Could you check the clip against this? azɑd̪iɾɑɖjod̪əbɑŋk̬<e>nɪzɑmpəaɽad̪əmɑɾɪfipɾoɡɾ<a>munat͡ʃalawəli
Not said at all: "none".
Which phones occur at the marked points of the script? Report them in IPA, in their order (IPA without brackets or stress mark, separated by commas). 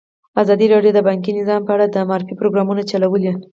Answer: i, ɑ